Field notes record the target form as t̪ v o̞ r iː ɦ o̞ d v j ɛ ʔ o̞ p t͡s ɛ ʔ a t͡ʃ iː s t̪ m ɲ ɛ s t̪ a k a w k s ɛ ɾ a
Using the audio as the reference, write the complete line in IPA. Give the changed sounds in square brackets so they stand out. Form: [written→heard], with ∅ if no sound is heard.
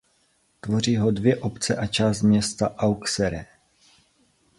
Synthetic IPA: t̪ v o̞ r iː ɦ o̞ d v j ɛ ʔ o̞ p t͡s ɛ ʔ a t͡ʃ [iː→aː] s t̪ m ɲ ɛ s t̪ a [k→ʔ] a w k s ɛ ɾ [a→ɛ]